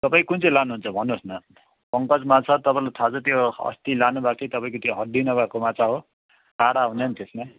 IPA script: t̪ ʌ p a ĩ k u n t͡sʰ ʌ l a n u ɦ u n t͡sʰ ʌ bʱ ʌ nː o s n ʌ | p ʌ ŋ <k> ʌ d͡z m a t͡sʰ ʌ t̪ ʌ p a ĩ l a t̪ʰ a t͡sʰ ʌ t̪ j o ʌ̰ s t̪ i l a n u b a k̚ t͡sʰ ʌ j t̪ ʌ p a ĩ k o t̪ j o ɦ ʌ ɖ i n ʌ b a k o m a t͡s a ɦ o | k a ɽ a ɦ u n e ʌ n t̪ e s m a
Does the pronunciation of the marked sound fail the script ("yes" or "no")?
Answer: no